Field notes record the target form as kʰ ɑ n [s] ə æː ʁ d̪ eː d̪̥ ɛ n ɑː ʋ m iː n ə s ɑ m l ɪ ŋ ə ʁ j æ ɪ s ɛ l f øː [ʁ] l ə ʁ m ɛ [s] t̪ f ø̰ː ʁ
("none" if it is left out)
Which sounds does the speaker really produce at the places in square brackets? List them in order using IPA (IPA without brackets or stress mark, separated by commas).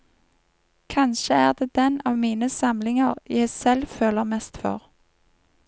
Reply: ʃ, none, s